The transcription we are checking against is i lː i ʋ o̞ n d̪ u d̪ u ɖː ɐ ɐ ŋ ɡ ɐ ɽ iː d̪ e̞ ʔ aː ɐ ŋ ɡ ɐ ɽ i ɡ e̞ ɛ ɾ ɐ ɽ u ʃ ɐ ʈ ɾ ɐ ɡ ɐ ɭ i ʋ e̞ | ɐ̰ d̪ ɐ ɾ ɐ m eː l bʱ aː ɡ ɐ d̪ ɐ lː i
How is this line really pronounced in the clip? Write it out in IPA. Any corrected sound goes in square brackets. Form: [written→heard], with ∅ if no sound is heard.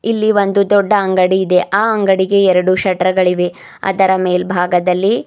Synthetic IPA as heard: i lː i ʋ o̞ n d̪ u d̪ [u→ɔ] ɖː ɐ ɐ ŋ ɡ ɐ ɽ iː d̪ e̞ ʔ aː ɐ ŋ ɡ ɐ ɽ i ɡ e̞ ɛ ɾ ɐ ɽ u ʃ ɐ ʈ ɾ ɐ ɡ ɐ ɭ i ʋ e̞ | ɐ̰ d̪ ɐ ɾ ɐ m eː l bʱ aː ɡ ɐ d̪ ɐ lː i